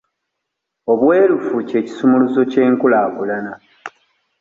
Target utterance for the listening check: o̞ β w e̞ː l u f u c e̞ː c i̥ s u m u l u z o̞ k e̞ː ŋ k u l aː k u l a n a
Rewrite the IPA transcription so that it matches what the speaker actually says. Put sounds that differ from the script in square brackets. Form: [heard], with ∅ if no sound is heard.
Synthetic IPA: o̞ β w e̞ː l u f u c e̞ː c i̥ s u m u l u z o̞ [c] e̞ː ŋ k u l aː k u l a n a